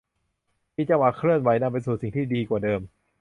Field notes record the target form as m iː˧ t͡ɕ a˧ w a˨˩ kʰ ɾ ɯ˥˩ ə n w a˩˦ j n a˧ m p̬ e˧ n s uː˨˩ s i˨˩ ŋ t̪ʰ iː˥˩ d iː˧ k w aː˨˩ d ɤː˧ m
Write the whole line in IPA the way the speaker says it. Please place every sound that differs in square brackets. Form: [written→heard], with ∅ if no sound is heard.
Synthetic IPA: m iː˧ t͡ɕ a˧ w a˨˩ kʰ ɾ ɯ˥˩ ə n w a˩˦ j n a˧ m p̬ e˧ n s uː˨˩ s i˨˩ ŋ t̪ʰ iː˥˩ d iː˧ k w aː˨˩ d ɤː˧ m